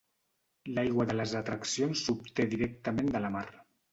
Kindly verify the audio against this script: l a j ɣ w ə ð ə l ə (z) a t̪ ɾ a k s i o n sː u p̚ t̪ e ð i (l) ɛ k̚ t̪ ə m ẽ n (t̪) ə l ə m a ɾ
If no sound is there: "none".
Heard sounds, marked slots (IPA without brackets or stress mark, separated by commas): z, ɾ, d̪